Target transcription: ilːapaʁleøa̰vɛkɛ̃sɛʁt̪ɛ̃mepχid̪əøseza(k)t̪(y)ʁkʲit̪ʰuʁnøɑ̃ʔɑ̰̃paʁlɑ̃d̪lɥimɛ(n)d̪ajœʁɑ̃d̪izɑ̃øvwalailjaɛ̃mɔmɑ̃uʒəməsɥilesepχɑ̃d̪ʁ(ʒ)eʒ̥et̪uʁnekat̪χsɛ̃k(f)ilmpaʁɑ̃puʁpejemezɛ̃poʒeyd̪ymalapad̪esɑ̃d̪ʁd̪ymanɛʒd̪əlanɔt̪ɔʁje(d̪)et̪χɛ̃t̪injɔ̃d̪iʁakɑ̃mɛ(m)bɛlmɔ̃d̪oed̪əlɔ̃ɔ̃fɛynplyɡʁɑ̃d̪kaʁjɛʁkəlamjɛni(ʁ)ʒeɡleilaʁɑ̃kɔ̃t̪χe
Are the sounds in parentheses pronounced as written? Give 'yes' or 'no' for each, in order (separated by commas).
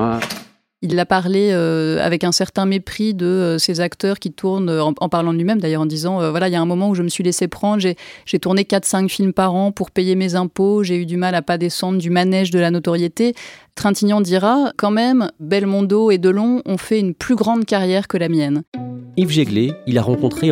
yes, no, no, yes, yes, no, yes, no